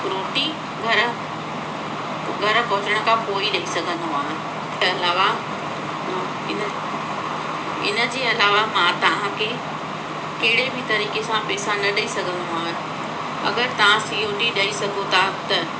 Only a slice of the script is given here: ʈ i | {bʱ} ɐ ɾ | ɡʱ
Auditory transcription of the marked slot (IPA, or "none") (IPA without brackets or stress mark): ɡʱ